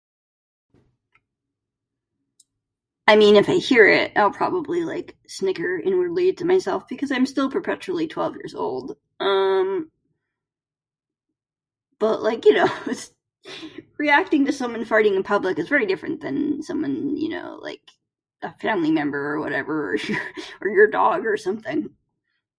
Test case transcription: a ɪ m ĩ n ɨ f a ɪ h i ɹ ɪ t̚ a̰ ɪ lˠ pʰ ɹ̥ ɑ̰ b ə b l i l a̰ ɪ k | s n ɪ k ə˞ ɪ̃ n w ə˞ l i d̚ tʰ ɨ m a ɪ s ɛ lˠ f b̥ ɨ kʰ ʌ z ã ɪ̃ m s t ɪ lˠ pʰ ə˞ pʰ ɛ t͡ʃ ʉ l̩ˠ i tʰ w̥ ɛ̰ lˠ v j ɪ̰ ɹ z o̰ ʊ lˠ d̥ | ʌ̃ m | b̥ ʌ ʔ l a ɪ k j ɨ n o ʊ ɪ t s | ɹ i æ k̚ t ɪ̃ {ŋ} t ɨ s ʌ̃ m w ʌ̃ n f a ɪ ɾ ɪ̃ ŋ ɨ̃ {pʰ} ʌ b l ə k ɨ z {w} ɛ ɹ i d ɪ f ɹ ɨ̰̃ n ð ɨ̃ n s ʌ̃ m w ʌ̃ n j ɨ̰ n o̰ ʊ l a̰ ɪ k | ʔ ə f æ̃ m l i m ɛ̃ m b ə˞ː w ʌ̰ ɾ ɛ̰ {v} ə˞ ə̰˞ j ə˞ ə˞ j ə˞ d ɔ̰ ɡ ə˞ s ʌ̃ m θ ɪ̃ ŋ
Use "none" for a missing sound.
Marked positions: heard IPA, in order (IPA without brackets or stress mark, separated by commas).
ŋ, pʰ, v, v